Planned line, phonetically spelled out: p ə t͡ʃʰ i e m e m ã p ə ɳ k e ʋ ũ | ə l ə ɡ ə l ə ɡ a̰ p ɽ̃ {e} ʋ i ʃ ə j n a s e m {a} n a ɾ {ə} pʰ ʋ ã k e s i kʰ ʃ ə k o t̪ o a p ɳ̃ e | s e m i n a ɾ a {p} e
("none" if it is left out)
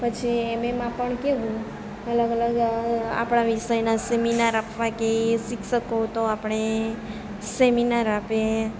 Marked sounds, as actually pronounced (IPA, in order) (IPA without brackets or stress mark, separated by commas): a, i, a, p